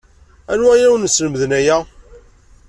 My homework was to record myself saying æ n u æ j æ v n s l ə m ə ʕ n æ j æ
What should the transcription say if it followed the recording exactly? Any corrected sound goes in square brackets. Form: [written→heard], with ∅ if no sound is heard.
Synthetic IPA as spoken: æ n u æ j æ [v→w] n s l ə m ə [ʕ→ð] n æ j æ